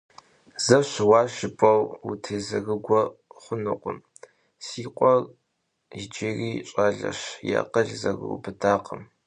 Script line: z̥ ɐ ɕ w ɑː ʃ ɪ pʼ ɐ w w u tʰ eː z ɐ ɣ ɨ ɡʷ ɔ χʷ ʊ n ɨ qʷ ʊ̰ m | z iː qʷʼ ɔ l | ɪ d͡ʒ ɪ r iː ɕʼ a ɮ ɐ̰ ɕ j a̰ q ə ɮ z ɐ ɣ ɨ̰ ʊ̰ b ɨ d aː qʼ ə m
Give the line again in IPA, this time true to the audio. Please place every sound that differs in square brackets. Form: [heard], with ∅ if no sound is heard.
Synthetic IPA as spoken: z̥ ɐ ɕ w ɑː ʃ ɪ pʼ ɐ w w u tʰ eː z ɐ ɣ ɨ ɡʷ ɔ χʷ ʊ n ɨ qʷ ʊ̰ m | [s] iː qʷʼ ɔ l | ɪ d͡ʒ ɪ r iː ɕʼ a ɮ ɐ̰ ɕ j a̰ q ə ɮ z ɐ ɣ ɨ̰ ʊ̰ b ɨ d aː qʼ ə m

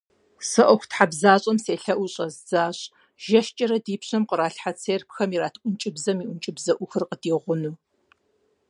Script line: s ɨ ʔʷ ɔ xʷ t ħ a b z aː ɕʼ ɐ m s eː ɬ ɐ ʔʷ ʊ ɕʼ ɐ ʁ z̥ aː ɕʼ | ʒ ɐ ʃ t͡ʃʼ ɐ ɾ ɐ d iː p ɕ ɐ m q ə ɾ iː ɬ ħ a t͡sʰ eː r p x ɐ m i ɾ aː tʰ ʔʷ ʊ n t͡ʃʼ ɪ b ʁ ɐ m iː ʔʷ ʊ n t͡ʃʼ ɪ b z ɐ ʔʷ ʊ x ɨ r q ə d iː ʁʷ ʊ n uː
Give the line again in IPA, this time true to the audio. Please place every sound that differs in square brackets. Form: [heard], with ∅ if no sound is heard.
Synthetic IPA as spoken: s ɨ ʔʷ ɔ xʷ t ħ a b z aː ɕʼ ɐ m s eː ɬ ɐ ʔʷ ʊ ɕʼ ɐ [z] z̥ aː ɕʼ | ʒ ɐ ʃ t͡ʃʼ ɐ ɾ ɐ d iː p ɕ ɐ m q ə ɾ [aː] ɬ ħ a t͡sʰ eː r p x ɐ m i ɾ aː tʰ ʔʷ ʊ n t͡ʃʼ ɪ b [z] ɐ m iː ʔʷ ʊ n t͡ʃʼ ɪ b z ɐ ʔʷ ʊ x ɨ r q ə d iː ʁʷ ʊ n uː

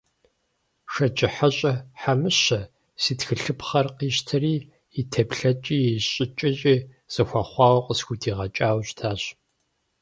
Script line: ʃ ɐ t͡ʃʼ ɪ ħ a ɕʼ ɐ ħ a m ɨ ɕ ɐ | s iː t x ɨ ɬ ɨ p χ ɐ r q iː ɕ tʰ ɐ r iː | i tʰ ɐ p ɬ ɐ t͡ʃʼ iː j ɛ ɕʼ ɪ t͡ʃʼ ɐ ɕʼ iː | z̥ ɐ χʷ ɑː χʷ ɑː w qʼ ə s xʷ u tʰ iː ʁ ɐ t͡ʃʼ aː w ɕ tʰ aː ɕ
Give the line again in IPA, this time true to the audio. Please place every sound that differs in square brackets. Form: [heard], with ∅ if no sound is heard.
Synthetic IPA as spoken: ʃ ɐ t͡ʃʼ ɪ ħ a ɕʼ ɐ ħ a m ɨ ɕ ɐ | s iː t x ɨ ɬ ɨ p χ ɐ r q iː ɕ tʰ ɐ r iː | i tʰ ɐ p ɬ ɐ t͡ʃʼ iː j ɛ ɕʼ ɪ t͡ʃʼ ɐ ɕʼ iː | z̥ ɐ [xʷ] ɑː χʷ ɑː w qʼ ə s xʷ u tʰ iː ʁ ɐ t͡ʃʼ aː w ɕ tʰ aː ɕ

